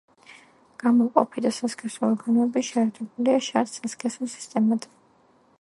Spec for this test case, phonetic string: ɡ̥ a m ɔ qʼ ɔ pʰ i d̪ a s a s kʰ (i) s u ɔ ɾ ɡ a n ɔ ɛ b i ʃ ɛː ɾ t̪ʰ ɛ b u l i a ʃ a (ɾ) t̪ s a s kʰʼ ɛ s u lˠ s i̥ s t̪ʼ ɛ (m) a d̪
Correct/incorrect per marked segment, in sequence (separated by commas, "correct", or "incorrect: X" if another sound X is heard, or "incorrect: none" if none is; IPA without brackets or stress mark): incorrect: ɛ, correct, correct